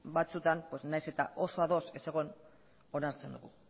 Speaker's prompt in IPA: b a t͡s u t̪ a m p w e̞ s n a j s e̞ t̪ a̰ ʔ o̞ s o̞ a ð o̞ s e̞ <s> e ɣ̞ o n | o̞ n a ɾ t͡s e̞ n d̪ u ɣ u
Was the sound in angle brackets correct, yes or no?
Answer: yes